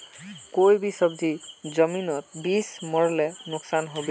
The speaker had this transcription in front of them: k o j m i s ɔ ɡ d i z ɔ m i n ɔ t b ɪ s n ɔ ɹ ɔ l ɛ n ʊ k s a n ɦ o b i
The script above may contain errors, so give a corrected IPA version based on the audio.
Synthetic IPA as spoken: k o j b i s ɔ b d i z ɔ m i n ɔ t b i s m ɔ ɹ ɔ l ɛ n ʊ k s a n ɦ o b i